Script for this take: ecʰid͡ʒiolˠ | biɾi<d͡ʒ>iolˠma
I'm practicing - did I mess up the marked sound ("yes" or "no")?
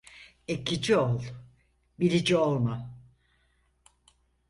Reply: no